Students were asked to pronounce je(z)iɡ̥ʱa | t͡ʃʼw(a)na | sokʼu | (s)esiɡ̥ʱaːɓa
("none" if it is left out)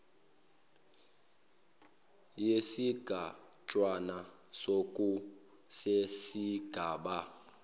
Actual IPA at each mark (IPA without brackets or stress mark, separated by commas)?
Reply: s, a, s